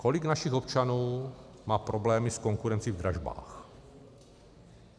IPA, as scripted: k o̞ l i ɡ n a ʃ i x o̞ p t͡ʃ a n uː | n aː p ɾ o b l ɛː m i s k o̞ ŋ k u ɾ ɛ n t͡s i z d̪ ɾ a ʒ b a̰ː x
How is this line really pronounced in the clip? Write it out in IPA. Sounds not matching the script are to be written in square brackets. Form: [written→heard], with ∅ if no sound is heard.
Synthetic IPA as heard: k o̞ l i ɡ n a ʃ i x o̞ p t͡ʃ a n uː | [n→m] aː p ɾ o b l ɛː m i s k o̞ ŋ k u ɾ ɛ n t͡s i [z→v] d̪ ɾ a ʒ b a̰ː x